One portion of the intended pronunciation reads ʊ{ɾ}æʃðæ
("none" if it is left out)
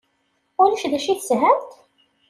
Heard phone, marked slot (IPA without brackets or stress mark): l